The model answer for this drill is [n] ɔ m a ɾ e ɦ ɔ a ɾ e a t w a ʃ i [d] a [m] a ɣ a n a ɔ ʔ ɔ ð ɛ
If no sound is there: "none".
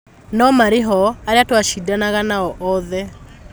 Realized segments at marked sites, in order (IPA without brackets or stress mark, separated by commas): n, d, n